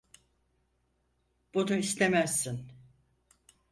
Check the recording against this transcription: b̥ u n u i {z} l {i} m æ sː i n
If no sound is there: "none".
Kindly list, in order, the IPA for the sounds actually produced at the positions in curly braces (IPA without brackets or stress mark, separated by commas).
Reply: s, e